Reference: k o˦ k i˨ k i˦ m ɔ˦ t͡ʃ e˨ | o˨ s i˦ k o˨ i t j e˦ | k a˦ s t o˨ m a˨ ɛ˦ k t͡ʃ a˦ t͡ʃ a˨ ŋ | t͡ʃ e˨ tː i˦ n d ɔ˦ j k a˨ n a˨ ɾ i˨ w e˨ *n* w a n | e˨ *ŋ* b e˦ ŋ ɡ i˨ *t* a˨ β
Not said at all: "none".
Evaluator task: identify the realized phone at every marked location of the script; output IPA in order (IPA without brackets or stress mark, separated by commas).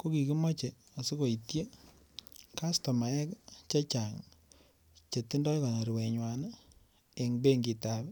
ɲ, ŋ, t